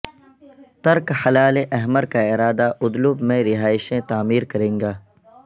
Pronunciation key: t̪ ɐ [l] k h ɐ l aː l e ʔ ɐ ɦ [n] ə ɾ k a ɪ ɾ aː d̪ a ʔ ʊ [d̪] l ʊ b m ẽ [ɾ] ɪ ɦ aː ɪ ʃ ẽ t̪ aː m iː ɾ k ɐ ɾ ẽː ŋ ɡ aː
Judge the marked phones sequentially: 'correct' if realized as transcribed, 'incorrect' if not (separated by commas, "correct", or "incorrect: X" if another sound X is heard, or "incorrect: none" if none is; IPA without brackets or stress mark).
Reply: incorrect: ɾ, incorrect: m, correct, correct